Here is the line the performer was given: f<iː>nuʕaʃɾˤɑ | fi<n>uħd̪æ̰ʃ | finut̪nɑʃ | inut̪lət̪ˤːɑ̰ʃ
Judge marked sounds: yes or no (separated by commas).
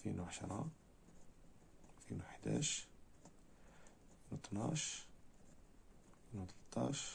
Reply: no, yes